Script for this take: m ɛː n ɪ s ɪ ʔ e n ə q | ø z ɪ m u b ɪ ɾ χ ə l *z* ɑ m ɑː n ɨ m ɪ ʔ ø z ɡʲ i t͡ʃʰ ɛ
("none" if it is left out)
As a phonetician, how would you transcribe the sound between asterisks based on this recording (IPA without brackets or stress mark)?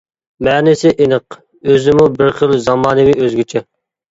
z